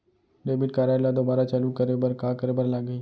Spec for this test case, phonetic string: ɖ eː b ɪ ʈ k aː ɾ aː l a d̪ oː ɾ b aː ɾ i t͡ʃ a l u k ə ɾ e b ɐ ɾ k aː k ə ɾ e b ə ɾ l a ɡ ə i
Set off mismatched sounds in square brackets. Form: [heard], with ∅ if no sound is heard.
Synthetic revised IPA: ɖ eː b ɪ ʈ k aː ɾ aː l a d̪ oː [∅] b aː ɾ [a] t͡ʃ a l u k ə ɾ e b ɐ ɾ k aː k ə ɾ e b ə ɾ l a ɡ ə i